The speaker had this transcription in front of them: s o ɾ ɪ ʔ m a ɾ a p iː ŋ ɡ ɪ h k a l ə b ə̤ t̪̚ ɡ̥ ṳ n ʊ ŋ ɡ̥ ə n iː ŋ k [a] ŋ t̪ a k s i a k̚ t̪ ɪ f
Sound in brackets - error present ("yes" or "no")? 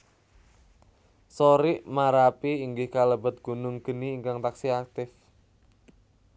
no